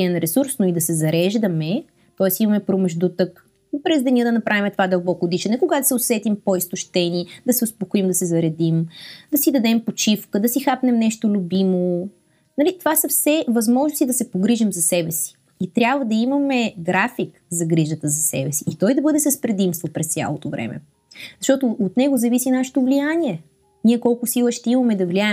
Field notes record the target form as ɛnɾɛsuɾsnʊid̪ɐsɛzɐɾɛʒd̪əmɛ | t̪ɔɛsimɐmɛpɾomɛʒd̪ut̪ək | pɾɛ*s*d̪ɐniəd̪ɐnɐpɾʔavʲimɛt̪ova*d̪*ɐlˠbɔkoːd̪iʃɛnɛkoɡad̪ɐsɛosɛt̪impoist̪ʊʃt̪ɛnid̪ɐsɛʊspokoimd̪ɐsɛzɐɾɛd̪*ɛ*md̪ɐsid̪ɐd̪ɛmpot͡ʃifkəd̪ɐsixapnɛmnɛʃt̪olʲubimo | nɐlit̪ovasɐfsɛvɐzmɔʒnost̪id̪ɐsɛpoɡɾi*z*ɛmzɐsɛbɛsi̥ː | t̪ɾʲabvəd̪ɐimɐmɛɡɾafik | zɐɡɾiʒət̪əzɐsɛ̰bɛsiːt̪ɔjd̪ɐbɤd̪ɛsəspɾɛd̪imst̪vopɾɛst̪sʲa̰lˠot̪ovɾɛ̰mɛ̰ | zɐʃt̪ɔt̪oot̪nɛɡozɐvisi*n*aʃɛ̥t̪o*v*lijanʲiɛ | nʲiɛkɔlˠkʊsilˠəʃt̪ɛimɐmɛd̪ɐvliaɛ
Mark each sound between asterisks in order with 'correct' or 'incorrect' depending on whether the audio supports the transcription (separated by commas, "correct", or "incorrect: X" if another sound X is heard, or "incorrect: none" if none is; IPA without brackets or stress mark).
incorrect: z, correct, incorrect: i, incorrect: ʒ, correct, correct